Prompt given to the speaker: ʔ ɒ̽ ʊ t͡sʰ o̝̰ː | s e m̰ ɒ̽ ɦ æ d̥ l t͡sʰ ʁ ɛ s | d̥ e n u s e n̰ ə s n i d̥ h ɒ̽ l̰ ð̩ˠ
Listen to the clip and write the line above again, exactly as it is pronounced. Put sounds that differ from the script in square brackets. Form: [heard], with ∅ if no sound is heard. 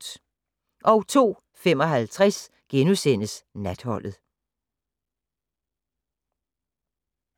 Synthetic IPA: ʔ ɒ̽ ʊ t͡sʰ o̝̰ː | [f] e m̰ ɒ̽ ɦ æ [∅] l t͡sʰ ʁ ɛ s | [ɡ̥] e n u s e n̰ ə s n [æ] d̥ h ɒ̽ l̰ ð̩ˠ